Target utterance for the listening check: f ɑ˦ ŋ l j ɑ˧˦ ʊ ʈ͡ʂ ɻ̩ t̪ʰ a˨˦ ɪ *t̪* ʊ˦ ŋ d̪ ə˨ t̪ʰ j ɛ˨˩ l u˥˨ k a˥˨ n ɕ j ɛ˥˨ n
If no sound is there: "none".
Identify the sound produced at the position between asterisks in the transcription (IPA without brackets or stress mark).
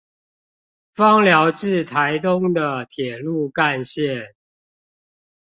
t̪